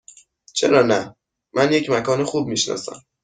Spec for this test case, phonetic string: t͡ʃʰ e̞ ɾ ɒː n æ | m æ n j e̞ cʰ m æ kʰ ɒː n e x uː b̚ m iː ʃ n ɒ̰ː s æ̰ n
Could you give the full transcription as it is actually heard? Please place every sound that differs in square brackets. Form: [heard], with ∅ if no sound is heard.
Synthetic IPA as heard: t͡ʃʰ e̞ ɾ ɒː n æ | m æ n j e̞ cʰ m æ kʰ ɒː n e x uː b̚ m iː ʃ n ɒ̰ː s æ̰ [m]